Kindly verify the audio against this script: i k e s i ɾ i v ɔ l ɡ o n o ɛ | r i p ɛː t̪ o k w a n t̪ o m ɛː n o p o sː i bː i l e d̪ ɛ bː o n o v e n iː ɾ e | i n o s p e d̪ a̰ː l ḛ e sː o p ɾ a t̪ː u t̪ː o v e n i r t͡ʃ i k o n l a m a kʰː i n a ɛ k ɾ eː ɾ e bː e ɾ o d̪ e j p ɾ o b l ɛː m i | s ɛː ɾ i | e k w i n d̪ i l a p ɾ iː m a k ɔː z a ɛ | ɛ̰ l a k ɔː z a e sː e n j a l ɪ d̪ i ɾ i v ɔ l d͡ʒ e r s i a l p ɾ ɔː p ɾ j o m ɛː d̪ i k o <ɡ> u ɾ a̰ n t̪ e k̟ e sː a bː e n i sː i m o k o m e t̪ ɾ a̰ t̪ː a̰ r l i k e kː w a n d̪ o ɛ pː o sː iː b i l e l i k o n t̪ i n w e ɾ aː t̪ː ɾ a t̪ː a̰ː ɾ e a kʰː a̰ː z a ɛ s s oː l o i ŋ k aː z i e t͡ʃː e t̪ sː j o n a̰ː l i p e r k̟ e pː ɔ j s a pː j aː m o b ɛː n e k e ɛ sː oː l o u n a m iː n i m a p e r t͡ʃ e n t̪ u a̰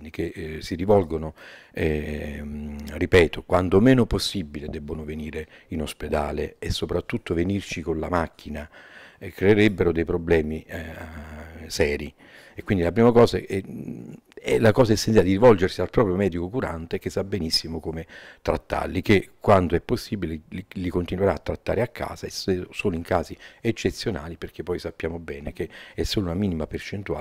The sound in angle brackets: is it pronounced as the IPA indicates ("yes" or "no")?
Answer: no